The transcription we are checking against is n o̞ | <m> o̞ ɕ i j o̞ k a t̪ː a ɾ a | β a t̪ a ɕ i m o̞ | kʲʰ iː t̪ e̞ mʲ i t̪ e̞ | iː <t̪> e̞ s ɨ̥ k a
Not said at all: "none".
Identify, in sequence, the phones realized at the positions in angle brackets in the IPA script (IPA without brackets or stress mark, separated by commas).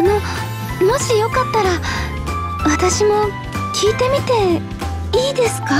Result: m, d̪